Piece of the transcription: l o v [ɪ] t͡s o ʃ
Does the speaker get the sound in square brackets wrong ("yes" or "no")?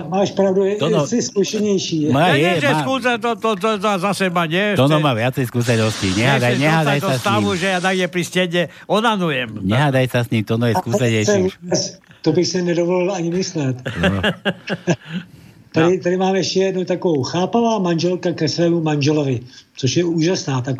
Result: no